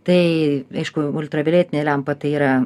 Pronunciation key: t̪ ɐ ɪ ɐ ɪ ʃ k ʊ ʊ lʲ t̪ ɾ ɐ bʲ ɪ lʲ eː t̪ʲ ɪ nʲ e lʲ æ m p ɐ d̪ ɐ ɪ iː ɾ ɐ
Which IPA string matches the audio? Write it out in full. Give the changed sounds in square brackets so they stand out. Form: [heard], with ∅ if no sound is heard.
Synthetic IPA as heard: t̪ ɐ ɪ ɐ ɪ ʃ k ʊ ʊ lʲ t̪ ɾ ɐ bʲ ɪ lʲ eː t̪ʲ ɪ nʲ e lʲ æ m p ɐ [t̪] ɐ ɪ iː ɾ ɐ